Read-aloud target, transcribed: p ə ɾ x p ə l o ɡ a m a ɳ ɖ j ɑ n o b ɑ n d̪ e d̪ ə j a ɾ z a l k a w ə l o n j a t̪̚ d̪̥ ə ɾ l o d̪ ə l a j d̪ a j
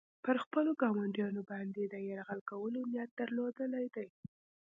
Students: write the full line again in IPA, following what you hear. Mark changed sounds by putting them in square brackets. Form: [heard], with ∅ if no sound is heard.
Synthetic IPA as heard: p ə ɾ x p ə l o ɡ [ɑ] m a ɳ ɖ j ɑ n o b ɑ n d̪ e d̪ ə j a ɾ [ɣ] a l k a w ə l o n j a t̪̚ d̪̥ ə ɾ l o d̪ ə l a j d̪ a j